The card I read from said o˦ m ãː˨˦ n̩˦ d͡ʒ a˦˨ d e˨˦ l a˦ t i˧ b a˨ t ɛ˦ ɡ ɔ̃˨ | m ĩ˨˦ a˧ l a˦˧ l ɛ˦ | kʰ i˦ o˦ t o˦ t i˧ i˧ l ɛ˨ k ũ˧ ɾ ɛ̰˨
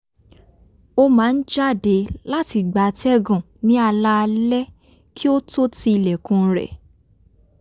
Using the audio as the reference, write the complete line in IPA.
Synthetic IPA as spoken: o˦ m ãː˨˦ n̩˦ d͡ʒ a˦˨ d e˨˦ l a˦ t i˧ ɡ͡b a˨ t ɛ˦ ɡ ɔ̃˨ | n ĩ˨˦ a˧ l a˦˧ l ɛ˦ | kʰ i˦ o˦ t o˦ t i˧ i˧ l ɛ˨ k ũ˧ ɾ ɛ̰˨